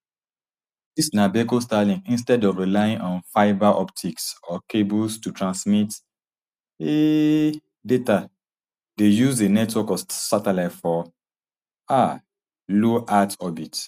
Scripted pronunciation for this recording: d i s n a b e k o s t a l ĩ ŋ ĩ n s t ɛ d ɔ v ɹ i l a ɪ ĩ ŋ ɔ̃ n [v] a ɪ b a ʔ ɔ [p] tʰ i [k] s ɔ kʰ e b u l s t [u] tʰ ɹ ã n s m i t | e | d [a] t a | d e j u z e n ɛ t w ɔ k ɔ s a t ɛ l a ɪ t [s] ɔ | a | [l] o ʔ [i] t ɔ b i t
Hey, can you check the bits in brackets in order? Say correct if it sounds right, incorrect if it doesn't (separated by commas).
incorrect, correct, correct, correct, incorrect, incorrect, correct, incorrect